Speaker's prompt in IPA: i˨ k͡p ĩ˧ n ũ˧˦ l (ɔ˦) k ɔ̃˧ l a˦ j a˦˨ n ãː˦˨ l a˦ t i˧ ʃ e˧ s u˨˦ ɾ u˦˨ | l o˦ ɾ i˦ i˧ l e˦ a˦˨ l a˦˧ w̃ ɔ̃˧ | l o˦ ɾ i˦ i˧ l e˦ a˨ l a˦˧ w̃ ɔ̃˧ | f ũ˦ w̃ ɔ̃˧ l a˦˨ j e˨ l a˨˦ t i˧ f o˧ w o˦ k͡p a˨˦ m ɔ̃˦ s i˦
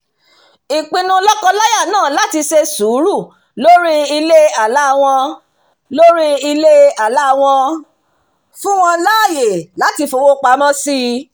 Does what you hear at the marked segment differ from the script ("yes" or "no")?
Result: no